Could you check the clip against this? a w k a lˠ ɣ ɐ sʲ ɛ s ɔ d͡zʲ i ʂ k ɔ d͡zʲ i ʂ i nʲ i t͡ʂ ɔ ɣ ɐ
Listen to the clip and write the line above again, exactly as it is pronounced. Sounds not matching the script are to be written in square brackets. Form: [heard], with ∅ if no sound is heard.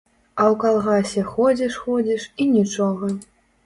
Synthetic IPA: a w k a lˠ ɣ [a] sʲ ɛ [x] ɔ d͡zʲ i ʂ [x] ɔ d͡zʲ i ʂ i nʲ i t͡ʂ ɔ ɣ ɐ